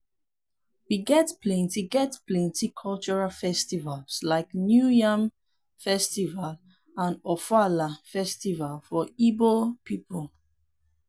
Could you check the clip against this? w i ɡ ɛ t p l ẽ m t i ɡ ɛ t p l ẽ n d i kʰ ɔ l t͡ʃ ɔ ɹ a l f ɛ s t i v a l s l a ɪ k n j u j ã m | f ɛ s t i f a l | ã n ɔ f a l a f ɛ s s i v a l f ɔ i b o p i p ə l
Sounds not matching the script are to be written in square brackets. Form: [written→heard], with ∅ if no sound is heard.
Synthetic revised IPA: w i ɡ ɛ t p l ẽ [m→n] t i ɡ ɛ t p l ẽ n [d→t] i kʰ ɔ l t͡ʃ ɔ ɹ a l f ɛ s t i v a l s l a ɪ k n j u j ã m | f ɛ s t i [f→v] a l | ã n ɔ f a l a f ɛ s [s→t] i v a l f ɔ i b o p i p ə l